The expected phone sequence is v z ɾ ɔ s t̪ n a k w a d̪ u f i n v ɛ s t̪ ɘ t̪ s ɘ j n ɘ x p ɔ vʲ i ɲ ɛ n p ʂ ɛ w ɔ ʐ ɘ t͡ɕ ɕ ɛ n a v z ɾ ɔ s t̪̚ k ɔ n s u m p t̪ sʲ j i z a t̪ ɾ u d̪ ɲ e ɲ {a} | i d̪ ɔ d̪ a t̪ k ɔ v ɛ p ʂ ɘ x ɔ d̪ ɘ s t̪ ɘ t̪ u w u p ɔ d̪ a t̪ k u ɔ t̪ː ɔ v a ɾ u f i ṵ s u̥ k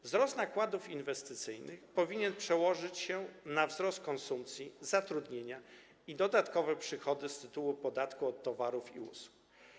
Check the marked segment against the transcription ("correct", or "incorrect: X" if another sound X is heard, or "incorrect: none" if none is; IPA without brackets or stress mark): correct